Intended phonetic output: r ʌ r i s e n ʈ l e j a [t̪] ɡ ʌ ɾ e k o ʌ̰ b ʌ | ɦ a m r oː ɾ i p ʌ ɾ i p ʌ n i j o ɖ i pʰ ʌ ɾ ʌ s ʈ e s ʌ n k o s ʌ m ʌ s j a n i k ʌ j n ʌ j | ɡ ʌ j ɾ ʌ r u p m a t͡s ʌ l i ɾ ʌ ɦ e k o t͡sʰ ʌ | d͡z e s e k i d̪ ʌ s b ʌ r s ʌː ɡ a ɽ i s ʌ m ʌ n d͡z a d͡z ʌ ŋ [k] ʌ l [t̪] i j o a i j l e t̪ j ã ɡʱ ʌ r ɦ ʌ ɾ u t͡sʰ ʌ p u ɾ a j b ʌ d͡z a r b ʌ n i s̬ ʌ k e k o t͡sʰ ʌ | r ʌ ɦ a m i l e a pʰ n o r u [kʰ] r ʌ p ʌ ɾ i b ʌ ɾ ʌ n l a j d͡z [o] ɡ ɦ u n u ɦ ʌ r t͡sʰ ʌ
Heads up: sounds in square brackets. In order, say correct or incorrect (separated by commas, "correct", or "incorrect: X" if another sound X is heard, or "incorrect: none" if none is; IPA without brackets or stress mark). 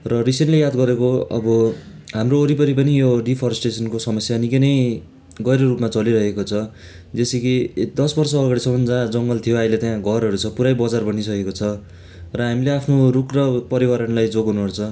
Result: incorrect: d̪, incorrect: ɡ, incorrect: t̪ʰ, incorrect: k, correct